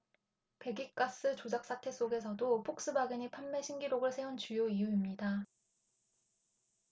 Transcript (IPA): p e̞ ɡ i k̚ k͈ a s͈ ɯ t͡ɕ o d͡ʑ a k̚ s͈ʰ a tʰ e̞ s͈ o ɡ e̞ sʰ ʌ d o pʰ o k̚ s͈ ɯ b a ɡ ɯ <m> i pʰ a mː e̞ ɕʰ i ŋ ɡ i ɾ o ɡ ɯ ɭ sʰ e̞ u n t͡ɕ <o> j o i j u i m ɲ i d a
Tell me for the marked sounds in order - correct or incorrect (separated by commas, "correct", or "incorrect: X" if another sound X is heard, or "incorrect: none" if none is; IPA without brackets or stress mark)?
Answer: incorrect: ɲ, incorrect: u